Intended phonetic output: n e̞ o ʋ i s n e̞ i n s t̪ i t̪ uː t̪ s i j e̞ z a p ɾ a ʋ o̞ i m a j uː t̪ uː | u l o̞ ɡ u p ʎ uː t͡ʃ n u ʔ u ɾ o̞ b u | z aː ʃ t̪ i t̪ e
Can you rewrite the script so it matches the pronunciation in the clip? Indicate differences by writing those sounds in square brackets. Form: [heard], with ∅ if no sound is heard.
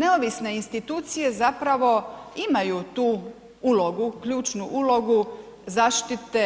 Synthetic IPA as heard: n e̞ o ʋ i s n e̞ i n s t̪ i t̪ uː t̪ s i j e̞ z a p ɾ a ʋ o̞ i m a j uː t̪ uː | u l o̞ ɡ u [k] ʎ uː t͡ʃ n u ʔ u [l] o̞ [ɡ] u | z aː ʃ t̪ i t̪ e